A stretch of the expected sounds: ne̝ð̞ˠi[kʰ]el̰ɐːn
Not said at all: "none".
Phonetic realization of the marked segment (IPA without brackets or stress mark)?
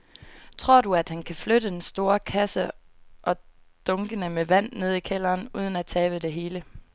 kʰ